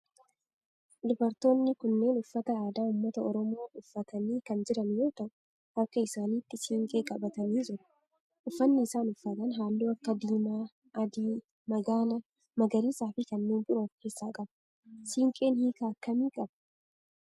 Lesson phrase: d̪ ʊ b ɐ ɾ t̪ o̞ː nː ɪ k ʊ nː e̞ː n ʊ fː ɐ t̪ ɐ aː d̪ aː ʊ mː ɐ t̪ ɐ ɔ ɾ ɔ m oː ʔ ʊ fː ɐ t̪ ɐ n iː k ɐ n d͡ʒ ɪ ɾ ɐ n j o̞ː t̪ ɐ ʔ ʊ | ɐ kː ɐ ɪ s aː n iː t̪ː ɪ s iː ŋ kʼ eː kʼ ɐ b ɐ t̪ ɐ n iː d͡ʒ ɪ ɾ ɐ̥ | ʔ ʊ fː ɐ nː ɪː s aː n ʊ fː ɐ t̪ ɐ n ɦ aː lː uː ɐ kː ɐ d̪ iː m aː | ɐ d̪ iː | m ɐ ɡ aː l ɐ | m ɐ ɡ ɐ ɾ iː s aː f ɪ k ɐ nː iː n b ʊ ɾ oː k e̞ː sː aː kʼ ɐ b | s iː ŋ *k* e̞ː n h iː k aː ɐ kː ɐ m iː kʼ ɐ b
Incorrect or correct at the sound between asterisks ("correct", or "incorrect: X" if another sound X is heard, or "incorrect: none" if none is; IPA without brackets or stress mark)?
incorrect: kʼ